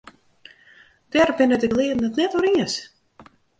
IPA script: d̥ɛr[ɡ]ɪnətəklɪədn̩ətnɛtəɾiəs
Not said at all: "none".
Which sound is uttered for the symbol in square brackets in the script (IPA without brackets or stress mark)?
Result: b